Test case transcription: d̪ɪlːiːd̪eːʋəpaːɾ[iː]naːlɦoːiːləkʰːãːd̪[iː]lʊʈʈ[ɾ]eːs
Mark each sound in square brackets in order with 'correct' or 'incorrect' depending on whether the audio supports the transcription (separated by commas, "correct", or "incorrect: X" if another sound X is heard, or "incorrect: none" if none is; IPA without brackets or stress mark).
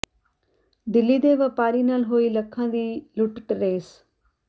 correct, correct, correct